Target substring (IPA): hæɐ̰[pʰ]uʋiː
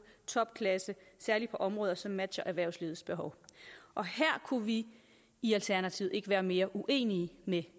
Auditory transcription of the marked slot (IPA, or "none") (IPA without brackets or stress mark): kʰ